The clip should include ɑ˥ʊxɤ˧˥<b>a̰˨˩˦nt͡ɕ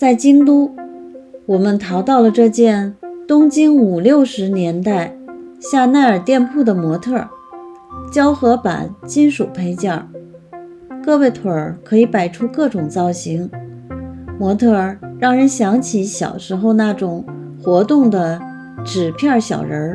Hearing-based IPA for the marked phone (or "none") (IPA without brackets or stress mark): p